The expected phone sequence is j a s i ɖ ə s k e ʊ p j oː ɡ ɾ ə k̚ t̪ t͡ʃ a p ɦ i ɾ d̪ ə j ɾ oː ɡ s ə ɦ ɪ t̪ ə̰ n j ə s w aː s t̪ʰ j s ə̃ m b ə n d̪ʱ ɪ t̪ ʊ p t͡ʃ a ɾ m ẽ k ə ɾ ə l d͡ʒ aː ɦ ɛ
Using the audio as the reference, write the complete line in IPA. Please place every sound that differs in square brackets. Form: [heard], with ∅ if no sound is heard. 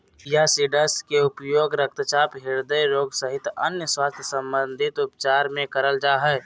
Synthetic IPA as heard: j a s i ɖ ə s k e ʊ p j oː ɡ ɾ ə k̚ t̪ t͡ʃ a p ɦ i ɾ d̪ ə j ɾ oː ɡ s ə ɦ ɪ t̪ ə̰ n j ə s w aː s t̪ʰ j s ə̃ m b ə n d̪ʱ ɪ t̪ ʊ p t͡ʃ a ɾ m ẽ k ə ɾ ə l d͡ʒ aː ɦ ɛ